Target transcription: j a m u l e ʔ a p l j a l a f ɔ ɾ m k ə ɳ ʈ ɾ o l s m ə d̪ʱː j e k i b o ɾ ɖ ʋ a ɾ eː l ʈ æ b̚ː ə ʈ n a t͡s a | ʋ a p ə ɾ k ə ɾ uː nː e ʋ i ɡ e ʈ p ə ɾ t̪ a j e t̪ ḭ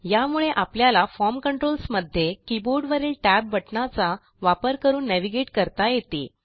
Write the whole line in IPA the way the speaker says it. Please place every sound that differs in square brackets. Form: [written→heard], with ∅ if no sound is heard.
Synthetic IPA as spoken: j a m u [l→ɭ] e ʔ a p l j a l a f ɔ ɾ m k ə ɳ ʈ ɾ o l s m ə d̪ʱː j e k i b o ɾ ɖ ʋ [a→ə] ɾ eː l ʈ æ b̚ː ə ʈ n a t͡s a | ʋ a p ə ɾ k ə ɾ uː nː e ʋ i ɡ e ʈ [p→k] ə ɾ t̪ a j e t̪ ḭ